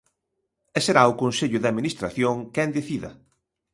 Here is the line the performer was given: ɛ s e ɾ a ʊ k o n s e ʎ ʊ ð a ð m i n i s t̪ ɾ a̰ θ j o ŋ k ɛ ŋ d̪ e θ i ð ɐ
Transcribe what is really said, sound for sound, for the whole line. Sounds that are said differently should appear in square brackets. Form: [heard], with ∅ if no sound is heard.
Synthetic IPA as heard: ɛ s e ɾ a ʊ k o n s e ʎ ʊ ð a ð m i n i s t̪ ɾ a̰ θ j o ŋ k ɛ [n] d̪ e θ i ð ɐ